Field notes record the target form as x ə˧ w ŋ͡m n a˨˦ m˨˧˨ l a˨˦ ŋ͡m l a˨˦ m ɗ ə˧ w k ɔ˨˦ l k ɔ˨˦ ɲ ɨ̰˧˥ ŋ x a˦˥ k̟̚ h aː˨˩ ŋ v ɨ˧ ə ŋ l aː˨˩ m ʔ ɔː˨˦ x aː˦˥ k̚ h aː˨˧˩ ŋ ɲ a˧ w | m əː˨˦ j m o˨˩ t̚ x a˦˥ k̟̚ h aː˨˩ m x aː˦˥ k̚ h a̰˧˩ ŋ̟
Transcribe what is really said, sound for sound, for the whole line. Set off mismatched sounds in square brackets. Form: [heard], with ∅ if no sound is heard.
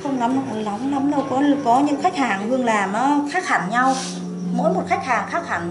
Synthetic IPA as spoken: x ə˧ w ŋ͡m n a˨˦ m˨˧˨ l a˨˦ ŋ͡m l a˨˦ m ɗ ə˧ w k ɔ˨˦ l k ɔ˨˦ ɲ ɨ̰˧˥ ŋ x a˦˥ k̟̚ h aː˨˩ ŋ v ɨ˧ ə ŋ l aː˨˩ m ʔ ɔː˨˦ x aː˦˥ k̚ h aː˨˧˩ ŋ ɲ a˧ w | m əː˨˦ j m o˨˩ t̚ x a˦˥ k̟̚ h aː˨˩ [ŋ] x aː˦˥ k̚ h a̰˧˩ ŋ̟